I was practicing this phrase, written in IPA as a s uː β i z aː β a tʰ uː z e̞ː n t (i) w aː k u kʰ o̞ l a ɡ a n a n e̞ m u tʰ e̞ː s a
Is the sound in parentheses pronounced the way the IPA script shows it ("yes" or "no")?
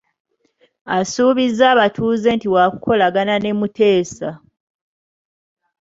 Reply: yes